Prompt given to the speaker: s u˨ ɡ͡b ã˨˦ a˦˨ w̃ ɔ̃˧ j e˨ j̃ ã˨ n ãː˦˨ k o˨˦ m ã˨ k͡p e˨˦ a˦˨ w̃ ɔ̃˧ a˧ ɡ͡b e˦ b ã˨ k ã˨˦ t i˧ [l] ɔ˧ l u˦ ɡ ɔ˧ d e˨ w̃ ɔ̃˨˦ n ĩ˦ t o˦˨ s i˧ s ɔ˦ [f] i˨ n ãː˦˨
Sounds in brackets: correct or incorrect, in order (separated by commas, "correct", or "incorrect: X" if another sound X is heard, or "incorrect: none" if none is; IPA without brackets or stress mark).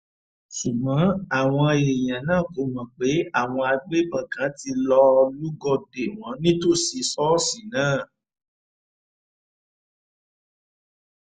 correct, incorrect: s